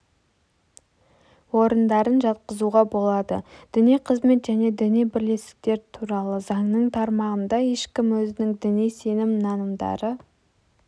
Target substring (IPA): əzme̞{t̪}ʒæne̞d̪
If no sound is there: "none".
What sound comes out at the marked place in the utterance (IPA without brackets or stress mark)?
t̪